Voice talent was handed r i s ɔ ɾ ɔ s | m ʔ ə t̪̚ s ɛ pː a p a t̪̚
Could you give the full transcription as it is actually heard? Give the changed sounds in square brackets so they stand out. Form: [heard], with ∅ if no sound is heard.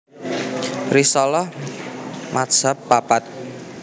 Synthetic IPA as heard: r i s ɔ [l] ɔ [h] | m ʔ [a] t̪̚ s [a] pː a p a t̪̚

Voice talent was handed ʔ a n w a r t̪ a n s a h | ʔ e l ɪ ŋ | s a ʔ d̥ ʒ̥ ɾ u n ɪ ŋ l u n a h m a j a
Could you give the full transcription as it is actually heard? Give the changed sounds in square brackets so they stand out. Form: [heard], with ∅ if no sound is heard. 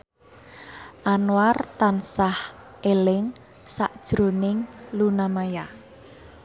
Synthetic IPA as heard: ʔ a n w a r t̪ a n s a h | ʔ e l ɪ ŋ | s a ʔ d̥ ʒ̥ ɾ [o] n ɪ ŋ l u n a [∅] m a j a

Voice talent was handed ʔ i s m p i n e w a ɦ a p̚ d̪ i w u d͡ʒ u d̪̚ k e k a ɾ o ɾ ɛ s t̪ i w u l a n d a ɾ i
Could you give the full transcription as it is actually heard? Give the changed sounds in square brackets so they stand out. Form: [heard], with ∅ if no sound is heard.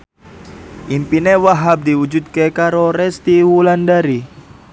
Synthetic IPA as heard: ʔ i [∅] m p i n e w a ɦ a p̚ d̪ i w u d͡ʒ u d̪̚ k e k a ɾ o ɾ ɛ s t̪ i w u l a n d a ɾ i

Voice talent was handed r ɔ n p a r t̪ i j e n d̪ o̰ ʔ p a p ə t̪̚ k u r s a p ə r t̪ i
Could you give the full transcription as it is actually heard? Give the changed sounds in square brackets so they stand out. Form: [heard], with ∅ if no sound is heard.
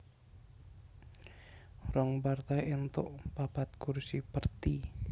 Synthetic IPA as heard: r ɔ [ŋ] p a r t̪ [a] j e n [t̪] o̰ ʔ p a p [a] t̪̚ k u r s [i] p ə r t̪ i

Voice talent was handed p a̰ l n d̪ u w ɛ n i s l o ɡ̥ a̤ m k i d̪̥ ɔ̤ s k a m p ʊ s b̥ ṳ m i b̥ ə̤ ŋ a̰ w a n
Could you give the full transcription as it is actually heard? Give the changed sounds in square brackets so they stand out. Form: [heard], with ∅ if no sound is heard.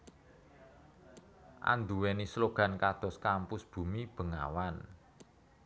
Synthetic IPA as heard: [ʔ] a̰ [∅] n d̪ u w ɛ n i s l o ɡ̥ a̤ [n] k [a] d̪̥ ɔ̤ s k a m p ʊ s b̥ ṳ m i b̥ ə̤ ŋ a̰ w a n

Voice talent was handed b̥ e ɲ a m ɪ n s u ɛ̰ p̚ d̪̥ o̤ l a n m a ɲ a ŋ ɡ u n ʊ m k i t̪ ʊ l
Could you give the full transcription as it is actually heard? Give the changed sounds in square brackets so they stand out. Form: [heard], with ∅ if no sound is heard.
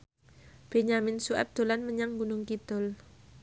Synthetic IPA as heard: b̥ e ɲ a m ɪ n s u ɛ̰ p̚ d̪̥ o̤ l a n m [ə] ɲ a ŋ ɡ u n ʊ [ŋ] k i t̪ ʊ l

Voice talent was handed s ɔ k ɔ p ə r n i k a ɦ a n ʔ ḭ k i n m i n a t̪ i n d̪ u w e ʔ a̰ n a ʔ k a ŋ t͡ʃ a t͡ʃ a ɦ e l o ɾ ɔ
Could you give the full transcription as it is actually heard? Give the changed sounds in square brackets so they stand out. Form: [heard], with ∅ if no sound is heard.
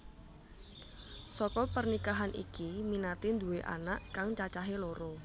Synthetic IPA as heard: s ɔ k ɔ p ə r n i k a ɦ a n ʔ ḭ k i [∅] m i n a t̪ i n d̪ u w e ʔ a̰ n a ʔ k a ŋ t͡ʃ a t͡ʃ a ɦ e l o ɾ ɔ

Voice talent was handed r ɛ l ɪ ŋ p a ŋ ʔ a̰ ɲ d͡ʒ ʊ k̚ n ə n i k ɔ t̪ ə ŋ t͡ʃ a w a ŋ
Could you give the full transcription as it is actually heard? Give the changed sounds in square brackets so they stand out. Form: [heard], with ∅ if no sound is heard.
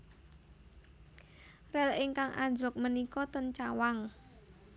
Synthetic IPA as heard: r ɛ l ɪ ŋ [k] a ŋ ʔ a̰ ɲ d͡ʒ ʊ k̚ [m] ə n i k ɔ t̪ ə [n] t͡ʃ a w a ŋ

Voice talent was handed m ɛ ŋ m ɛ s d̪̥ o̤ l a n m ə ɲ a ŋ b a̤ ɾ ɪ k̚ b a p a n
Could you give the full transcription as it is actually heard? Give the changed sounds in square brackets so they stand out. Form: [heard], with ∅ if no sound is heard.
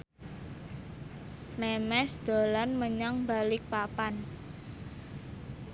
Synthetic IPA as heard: m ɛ [∅] m ɛ s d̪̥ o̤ l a n m ə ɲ a ŋ b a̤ [l] ɪ k̚ [p] a p a n

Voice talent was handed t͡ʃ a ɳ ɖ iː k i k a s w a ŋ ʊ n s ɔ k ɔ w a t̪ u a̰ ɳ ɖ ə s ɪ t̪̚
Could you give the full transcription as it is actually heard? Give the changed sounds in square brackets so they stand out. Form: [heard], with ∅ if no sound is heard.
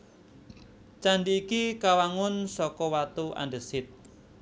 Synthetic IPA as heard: t͡ʃ a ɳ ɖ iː k i k a [∅] w a ŋ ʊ n s ɔ k ɔ w a t̪ u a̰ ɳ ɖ ə s ɪ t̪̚

